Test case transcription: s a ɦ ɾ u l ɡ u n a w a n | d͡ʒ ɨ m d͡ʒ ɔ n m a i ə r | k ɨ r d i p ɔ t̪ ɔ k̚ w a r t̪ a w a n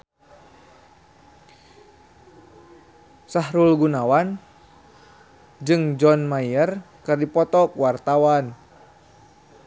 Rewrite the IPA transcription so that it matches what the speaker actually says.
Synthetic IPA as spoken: s a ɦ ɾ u l ɡ u n a w a n | d͡ʒ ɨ ŋ d͡ʒ ɔ n m a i ə r | k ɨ r d i p ɔ t̪ ɔ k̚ w a r t̪ a w a n